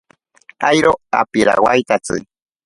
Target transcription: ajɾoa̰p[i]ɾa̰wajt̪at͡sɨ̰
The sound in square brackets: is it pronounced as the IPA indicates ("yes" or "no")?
yes